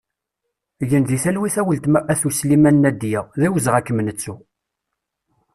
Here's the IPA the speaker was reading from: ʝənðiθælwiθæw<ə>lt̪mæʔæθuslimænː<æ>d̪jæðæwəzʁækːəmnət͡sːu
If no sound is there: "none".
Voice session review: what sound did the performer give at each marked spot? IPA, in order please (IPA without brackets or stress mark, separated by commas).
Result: ə, æ